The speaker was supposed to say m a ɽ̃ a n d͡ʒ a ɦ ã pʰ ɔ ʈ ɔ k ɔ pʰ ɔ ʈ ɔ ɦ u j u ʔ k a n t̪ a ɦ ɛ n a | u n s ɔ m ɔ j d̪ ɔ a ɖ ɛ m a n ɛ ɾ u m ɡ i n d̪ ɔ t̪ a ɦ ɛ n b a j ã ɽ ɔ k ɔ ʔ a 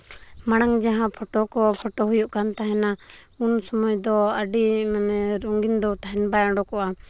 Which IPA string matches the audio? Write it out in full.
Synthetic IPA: m a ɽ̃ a ŋ d͡ʒ a ɦ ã pʰ ɔ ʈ ɔ k ɔ pʰ ɔ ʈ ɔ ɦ u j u ʔ k a n t̪ a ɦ ɛ n a | u n s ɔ m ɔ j d̪ ɔ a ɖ i m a n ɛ ɾ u ŋ ɡ i n d̪ ɔ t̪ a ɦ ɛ n b a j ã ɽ ɔ k ɔ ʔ a